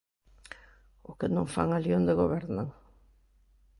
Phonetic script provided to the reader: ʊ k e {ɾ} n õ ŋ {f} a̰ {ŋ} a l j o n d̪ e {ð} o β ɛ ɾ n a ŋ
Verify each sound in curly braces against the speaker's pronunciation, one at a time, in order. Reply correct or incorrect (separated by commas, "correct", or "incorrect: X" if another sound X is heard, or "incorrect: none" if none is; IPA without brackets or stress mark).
incorrect: none, correct, correct, incorrect: ɣ